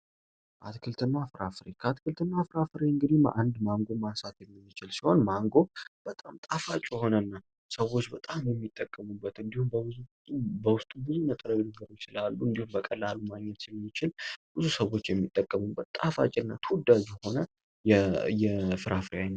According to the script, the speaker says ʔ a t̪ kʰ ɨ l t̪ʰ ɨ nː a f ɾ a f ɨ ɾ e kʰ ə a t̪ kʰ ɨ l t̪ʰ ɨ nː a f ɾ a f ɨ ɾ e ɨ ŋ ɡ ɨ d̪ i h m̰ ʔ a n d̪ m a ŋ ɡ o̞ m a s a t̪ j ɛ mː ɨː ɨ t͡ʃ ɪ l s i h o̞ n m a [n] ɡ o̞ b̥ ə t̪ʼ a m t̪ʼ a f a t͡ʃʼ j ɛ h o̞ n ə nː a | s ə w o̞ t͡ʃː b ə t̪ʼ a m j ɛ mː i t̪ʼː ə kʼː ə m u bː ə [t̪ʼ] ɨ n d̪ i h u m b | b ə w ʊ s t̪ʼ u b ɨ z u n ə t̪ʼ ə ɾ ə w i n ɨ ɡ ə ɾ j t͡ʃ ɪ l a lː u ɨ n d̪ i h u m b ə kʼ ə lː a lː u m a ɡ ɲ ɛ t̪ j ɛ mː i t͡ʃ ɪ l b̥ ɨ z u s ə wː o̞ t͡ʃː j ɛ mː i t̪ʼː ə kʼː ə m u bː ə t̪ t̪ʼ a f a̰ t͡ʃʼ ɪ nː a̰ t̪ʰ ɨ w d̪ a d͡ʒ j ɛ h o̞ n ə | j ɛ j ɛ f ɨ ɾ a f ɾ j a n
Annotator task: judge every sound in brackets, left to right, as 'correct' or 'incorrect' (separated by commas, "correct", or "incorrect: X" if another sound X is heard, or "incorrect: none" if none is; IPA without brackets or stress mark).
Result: incorrect: ŋ, incorrect: t̪